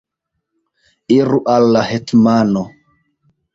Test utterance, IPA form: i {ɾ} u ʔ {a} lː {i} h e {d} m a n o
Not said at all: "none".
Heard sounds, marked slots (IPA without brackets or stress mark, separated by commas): ɾ, a, a, t